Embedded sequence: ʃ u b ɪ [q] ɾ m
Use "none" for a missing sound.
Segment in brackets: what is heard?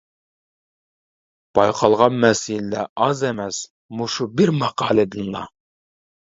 none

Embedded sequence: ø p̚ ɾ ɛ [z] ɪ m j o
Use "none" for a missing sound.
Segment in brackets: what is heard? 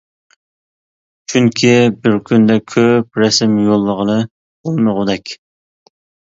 s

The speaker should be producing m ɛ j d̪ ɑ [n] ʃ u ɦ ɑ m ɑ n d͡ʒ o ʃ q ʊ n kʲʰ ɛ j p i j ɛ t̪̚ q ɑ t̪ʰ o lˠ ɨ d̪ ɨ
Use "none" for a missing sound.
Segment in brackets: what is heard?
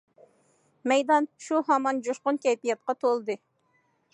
n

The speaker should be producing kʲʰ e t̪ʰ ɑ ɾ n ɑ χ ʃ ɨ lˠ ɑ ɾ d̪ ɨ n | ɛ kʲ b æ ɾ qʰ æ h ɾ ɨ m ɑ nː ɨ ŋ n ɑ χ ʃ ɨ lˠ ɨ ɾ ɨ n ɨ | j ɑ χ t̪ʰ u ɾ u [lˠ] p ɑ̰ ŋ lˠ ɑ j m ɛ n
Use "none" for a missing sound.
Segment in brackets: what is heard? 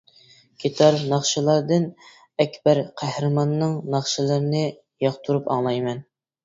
none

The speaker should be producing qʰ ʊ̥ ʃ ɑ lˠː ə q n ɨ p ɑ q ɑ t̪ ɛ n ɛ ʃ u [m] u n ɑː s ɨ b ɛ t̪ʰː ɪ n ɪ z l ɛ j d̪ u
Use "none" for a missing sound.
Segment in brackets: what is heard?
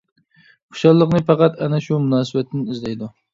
m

